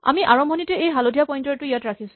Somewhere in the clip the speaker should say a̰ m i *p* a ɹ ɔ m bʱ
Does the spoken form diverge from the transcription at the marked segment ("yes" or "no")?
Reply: yes